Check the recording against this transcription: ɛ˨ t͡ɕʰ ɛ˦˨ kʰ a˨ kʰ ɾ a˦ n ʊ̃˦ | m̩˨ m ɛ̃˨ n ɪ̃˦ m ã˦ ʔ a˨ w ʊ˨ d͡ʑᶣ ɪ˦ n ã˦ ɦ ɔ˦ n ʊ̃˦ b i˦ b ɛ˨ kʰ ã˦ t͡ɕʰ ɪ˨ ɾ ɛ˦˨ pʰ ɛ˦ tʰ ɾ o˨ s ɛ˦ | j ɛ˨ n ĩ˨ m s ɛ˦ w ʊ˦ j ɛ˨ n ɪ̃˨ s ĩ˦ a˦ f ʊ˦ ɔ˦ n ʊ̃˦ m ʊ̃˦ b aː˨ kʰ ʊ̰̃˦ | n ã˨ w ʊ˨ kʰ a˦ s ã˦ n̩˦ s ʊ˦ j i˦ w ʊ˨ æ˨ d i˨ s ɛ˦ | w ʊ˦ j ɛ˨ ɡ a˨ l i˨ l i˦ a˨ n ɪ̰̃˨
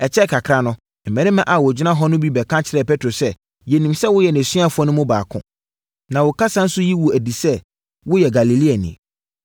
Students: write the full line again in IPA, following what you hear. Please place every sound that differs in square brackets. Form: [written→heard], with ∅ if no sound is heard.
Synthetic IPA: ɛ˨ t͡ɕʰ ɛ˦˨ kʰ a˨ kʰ ɾ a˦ n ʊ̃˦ | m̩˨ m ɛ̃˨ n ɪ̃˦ m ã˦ ʔ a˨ w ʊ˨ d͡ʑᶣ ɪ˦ n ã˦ ɦ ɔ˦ n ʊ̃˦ b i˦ b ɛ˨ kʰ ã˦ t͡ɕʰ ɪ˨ ɾ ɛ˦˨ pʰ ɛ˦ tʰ ɾ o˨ s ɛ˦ | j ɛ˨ n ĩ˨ m s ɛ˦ w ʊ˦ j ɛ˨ n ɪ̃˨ s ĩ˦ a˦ f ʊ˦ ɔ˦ n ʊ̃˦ m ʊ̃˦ b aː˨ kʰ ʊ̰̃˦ | n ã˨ w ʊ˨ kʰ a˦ s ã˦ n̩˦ s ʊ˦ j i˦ w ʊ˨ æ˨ d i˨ s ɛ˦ | w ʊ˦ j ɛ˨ ɡ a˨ l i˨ l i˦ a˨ n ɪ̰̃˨